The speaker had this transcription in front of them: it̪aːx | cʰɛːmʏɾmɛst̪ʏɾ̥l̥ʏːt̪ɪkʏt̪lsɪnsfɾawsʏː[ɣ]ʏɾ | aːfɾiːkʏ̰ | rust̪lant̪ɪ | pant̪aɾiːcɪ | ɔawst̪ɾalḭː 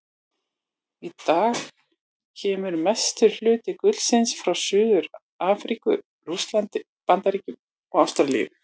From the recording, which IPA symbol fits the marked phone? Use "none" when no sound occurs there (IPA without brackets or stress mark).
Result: ð